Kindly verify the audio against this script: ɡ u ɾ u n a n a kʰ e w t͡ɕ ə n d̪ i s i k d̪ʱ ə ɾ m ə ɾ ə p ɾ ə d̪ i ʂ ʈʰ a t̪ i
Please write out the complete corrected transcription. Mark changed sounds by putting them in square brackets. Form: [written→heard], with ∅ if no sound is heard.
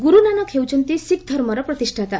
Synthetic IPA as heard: ɡ u ɾ u n a n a kʰ e w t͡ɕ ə n [d̪→t̪] i s i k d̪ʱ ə ɾ m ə ɾ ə p ɾ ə [d̪→t̪] i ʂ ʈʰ a t̪ [i→a]